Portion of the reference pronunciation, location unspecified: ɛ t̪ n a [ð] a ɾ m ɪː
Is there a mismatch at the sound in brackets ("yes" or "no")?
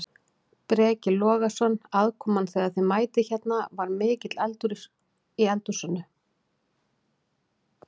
yes